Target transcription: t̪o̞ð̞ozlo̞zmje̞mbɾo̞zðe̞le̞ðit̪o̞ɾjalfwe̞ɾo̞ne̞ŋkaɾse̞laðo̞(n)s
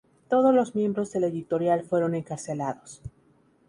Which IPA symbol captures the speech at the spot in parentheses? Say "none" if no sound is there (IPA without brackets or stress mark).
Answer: none